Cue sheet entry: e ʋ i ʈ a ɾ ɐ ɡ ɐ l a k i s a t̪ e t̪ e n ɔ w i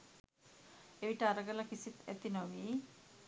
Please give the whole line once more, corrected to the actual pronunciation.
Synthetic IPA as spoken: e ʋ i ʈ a ɾ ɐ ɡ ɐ l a k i s i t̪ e t̪ i n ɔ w i